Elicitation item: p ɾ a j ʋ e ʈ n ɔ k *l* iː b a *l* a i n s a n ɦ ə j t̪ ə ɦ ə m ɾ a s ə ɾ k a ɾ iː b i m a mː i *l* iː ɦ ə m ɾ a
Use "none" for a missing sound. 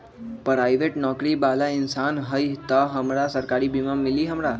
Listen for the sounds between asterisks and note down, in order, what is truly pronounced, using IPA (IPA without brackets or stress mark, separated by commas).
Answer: ɾ, l, l